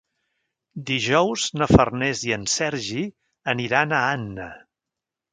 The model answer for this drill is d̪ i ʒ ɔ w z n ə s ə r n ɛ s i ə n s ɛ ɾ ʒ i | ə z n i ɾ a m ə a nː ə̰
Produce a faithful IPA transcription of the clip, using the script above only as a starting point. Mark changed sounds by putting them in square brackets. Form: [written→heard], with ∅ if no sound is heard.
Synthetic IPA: d̪ i ʒ ɔ w z n ə [s→f] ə r n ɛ [s→z] i ə n s ɛ ɾ ʒ i | ə [z→∅] n i ɾ a [m→n] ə a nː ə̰